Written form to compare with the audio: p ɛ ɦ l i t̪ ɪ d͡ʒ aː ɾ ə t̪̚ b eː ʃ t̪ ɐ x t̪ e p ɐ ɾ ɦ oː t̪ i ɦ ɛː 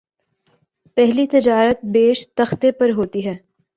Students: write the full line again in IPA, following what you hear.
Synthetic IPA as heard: p ɛ ɦ l i t̪ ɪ d͡ʒ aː ɾ ə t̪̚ b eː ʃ t̪ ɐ x t̪ e p ɐ ɾ ɦ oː t̪ i ɦ ɛː